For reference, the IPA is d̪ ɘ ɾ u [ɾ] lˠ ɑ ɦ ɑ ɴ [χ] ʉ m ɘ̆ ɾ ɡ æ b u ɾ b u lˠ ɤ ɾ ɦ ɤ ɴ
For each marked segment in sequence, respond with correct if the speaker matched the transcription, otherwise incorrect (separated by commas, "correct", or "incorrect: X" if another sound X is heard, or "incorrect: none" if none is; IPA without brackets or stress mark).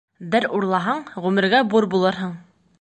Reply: correct, incorrect: ʁ